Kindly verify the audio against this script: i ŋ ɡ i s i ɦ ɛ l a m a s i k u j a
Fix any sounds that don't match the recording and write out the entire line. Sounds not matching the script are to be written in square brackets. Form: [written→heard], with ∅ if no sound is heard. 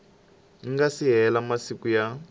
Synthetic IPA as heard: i ŋ ɡ [i→a] s i ɦ ɛ l a m a s i k u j a